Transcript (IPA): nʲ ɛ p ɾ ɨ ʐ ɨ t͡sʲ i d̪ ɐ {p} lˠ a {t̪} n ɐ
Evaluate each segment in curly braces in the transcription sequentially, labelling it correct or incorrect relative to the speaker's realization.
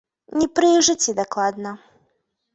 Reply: incorrect: k, incorrect: d̪

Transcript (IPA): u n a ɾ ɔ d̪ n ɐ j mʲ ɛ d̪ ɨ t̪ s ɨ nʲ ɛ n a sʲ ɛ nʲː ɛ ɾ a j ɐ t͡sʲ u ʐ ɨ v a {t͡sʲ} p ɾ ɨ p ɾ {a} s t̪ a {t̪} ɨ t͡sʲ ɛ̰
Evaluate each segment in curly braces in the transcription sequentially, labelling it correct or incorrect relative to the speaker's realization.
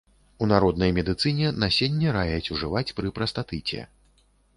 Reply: correct, incorrect: ɐ, correct

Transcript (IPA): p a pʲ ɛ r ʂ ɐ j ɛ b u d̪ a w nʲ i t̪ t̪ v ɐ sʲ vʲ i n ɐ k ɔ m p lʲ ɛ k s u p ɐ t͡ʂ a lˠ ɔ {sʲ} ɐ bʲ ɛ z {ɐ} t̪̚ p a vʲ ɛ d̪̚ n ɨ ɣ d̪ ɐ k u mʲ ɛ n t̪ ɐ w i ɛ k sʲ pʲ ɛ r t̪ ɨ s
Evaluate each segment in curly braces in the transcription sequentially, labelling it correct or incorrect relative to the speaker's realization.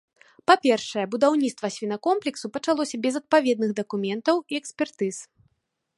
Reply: correct, correct

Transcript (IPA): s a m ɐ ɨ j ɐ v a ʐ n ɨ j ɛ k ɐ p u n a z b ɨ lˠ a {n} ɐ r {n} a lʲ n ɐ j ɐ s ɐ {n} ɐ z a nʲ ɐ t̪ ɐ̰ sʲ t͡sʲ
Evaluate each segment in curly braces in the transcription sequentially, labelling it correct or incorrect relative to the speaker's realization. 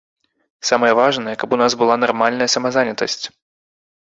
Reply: correct, incorrect: m, incorrect: m

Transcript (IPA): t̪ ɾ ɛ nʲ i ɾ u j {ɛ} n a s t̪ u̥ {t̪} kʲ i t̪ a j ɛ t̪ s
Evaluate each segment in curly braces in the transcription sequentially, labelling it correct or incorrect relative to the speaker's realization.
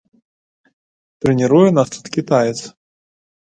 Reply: correct, correct

